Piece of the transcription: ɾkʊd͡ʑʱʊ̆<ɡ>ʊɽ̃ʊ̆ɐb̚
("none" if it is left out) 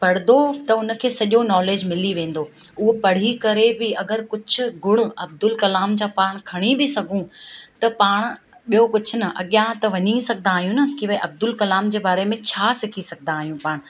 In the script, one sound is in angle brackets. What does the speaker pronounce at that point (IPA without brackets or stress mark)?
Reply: ɡ